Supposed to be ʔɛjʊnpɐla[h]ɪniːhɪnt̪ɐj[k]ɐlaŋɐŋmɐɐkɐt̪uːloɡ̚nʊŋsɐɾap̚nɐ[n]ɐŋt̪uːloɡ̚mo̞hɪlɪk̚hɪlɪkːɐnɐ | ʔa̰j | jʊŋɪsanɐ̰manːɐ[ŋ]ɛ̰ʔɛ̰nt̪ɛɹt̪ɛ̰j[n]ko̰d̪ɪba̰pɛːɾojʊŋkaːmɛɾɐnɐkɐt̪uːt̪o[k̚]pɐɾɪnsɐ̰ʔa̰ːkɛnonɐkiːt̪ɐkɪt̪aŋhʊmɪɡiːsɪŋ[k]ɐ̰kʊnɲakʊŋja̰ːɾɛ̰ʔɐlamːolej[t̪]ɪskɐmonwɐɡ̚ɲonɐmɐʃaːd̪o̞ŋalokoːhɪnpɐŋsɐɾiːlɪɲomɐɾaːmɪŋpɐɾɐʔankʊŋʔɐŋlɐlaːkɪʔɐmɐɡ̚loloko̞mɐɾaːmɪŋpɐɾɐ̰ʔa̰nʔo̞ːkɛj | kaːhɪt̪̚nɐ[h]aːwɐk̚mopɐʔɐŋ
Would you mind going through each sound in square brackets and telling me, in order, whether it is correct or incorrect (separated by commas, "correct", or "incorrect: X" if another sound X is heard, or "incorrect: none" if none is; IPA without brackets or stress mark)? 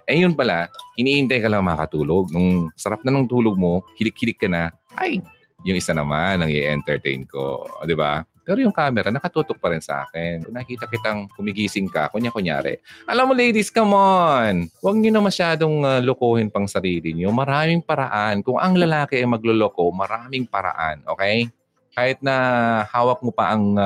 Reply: correct, correct, correct, correct, correct, correct, correct, incorrect: d̪, correct